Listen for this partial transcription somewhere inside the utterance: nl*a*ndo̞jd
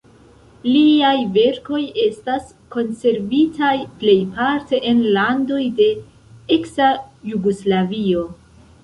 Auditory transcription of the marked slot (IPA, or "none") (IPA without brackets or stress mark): a